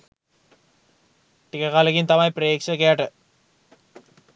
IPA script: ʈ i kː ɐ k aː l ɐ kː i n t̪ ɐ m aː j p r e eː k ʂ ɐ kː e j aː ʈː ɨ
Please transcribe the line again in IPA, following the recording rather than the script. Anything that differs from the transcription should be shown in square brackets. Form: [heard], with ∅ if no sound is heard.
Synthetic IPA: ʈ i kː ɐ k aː l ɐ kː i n t̪ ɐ m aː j p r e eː k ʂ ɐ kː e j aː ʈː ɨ